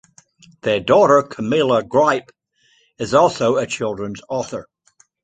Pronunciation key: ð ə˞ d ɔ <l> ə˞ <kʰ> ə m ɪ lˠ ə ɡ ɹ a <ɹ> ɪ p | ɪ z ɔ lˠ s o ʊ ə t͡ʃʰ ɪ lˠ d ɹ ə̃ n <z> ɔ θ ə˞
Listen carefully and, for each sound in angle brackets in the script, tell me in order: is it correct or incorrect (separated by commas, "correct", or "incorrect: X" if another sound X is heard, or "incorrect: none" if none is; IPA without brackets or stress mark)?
incorrect: ɾ, correct, incorrect: none, correct